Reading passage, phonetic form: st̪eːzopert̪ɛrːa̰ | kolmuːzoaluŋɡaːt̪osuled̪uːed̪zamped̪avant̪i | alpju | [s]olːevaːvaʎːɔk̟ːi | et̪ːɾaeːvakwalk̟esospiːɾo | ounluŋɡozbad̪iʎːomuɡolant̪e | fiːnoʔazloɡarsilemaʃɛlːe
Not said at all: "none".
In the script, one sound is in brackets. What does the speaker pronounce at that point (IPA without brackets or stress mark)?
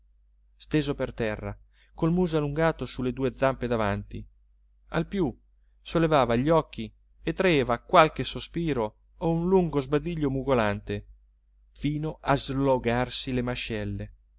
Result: s